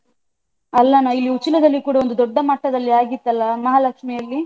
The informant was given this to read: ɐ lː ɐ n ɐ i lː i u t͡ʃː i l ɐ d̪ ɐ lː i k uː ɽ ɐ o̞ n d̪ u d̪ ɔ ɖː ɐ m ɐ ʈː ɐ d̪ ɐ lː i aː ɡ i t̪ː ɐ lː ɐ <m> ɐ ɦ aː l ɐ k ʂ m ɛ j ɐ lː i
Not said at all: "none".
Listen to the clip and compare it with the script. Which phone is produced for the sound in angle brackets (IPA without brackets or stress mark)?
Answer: m